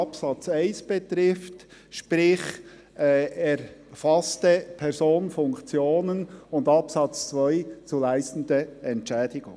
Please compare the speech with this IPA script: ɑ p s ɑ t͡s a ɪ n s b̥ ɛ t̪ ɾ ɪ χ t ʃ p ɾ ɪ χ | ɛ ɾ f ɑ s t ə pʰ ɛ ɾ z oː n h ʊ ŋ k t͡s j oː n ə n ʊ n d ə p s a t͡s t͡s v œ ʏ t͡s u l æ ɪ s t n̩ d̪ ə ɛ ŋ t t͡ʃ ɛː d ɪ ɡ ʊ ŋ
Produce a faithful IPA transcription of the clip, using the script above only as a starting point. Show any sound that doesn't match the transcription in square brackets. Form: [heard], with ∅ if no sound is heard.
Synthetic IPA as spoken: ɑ p s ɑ t͡s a ɪ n s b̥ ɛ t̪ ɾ ɪ [f] t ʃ p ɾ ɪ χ | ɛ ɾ f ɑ s t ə pʰ ɛ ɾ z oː n [f] ʊ ŋ k t͡s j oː n ə n ʊ n d [ɑ] p s [ɑ] t͡s t͡s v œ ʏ t͡s u l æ ɪ s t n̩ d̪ ə ɛ [n] t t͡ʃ ɛː d ɪ ɡ ʊ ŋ